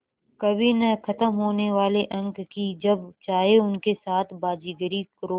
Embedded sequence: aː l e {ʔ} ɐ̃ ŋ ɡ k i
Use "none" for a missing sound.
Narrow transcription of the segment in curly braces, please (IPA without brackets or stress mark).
ʔ